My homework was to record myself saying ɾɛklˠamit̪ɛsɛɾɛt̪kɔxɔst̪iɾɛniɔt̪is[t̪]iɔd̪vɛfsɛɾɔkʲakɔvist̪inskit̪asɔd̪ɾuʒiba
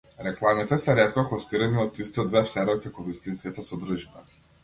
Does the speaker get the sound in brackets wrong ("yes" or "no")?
no